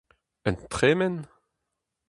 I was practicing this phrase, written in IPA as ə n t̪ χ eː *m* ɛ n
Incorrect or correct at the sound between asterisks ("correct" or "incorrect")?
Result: correct